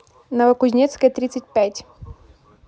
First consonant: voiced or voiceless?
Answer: voiced